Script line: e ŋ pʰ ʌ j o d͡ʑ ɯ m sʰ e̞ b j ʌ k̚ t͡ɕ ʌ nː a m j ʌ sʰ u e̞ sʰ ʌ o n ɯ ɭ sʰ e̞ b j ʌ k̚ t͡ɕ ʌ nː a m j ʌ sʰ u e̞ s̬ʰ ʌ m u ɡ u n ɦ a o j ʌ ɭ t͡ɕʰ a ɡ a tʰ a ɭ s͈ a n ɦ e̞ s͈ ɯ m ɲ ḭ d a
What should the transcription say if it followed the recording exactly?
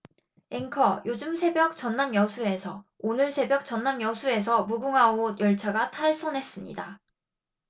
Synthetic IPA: e ŋ kʰ ʌ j o d͡ʑ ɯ m sʰ e̞ b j ʌ k̚ t͡ɕ ʌ nː a m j ʌ sʰ u e̞ sʰ ʌ o n ɯ ɭ sʰ e̞ b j ʌ k̚ t͡ɕ ʌ nː a m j ʌ sʰ u e̞ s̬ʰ ʌ m u ɡ u ŋ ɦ a o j ʌ ɭ t͡ɕʰ a ɡ a tʰ a ɭ s͈ ʌ n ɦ e̞ s͈ ɯ m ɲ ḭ d a